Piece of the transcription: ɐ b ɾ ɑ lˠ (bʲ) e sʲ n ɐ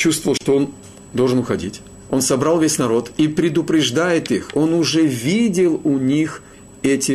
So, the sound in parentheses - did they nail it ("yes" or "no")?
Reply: no